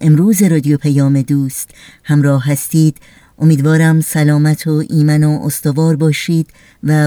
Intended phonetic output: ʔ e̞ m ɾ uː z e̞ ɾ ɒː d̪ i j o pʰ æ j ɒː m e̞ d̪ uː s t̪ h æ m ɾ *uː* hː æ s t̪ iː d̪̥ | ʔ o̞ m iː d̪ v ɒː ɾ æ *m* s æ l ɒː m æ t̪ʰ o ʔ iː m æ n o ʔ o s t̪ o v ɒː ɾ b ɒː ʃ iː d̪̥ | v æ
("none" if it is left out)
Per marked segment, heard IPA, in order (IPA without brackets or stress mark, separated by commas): ɒː, m